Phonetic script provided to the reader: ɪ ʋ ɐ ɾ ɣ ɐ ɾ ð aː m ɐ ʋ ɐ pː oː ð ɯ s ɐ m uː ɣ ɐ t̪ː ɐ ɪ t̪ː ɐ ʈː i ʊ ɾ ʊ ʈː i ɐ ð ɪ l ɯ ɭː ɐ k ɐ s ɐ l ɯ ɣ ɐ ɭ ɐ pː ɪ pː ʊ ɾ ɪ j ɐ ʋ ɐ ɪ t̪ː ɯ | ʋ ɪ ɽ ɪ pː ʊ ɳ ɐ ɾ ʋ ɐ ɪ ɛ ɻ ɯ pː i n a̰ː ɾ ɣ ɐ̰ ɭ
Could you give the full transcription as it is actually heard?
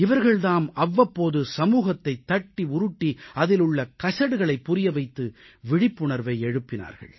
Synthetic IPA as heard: ɪ ʋ ɐ ɾ ɣ ɐ ɭ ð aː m ɐ ʋː ɐ pː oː ð ɯ s ɐ m uː ɣ ɐ t̪ː ɐ ɪ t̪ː ɐ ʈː i ʊ ɾ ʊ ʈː i ɐ ð ɪ l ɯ ɭː ɐ k ɐ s ɐ ɽ ɯ ɣ ɐ ɭ ɐ ɪ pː ʊ ɾ ɪ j ɐ ʋ ɐ ɪ t̪ː ɯ | ʋ ɪ ɽ ɪ pː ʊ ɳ ɐ ɾ ʋ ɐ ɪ ɛ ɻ ɯ pː ɪ n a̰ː ɾ ɣ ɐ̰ ɭ